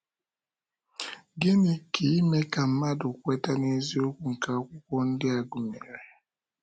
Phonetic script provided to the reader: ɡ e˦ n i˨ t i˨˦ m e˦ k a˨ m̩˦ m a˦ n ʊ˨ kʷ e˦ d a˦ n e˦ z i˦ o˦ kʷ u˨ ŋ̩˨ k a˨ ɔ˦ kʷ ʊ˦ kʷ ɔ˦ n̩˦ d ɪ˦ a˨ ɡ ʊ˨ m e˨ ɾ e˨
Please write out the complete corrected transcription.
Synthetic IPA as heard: ɡ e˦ n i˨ k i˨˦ m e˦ k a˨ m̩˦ m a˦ d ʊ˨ kʷ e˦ t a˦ n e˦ z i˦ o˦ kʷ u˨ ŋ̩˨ k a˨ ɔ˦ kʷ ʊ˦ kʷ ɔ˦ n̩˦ d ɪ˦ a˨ ɡ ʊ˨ m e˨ ɾ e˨